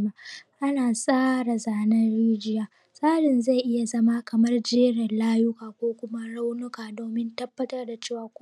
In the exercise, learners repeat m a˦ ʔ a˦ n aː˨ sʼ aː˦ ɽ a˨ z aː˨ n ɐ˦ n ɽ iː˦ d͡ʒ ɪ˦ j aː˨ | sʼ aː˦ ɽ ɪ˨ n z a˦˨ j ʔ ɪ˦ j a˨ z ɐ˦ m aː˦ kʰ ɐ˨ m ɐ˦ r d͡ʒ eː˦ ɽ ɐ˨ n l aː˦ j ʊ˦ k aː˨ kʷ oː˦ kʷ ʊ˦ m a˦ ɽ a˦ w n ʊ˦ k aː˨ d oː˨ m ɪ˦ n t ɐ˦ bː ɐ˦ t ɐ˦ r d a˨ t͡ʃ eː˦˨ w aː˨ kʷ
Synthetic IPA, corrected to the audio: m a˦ ʔ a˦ n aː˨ sʼ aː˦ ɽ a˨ z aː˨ n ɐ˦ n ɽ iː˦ d͡ʒ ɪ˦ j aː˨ | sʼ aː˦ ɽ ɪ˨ n z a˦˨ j ʔ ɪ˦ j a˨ z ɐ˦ m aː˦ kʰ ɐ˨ m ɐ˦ r d͡ʒ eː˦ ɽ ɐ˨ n l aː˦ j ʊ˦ k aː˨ kʷ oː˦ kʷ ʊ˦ m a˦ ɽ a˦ w n ʊ˦ k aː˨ d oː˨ m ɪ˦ n t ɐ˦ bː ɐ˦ t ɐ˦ r d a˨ t͡ʃ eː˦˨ w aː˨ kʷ